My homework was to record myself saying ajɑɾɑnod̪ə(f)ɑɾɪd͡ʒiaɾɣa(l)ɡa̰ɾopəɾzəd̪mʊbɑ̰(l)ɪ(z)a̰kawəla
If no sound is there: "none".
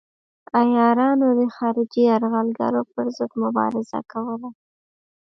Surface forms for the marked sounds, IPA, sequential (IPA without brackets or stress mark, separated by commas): x, l, ɾ, z